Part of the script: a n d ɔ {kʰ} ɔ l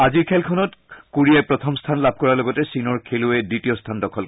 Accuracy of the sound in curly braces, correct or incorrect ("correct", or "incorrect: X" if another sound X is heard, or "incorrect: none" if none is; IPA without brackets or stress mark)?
correct